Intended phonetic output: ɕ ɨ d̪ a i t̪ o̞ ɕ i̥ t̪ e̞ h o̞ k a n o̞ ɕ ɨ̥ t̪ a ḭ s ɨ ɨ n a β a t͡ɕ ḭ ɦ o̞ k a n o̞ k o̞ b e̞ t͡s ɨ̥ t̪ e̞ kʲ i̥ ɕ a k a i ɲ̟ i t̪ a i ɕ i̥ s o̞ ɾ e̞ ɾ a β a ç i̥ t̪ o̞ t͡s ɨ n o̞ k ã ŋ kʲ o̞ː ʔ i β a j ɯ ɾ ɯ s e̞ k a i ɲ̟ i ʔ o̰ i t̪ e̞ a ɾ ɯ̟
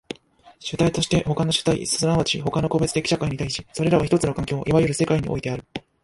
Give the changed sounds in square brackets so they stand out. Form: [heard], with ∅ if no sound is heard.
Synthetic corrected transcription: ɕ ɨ [t̪] a i t̪ o̞ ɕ i̥ t̪ e̞ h o̞ k a n o̞ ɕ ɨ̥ t̪ a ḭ s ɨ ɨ n a β a t͡ɕ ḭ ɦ o̞ k a n o̞ k o̞ b e̞ t͡s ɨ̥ t̪ e̞ kʲ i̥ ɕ a k a i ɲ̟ i t̪ a i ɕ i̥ s o̞ ɾ e̞ ɾ a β a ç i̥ t̪ o̞ t͡s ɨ n o̞ k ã ŋ kʲ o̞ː ʔ i β a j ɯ ɾ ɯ s e̞ k a i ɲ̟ i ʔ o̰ i t̪ e̞ a ɾ ɯ̟